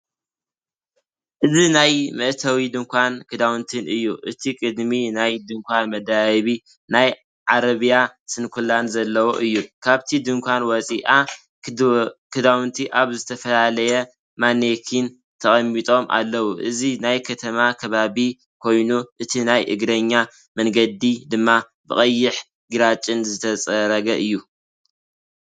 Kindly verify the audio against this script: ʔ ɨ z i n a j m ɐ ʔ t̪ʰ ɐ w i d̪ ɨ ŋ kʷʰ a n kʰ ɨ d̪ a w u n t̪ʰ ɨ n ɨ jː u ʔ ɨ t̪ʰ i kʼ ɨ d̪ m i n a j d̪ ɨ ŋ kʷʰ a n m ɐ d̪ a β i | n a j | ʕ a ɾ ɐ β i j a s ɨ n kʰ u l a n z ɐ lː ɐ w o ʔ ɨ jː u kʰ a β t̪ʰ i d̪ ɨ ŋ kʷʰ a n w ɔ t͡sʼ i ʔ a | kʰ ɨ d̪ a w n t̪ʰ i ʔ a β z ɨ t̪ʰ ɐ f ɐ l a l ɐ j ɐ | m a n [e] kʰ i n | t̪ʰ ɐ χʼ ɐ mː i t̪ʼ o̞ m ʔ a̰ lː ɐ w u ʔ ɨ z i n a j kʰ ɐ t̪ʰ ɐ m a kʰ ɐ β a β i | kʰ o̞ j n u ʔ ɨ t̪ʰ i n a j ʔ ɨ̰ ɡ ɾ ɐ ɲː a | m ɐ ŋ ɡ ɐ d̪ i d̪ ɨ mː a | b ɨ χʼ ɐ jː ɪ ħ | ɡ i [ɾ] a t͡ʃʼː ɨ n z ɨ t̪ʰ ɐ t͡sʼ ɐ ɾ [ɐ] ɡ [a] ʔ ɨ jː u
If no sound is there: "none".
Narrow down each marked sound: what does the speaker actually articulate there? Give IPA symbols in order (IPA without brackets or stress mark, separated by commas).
e, ɾ, ɐ, ɐ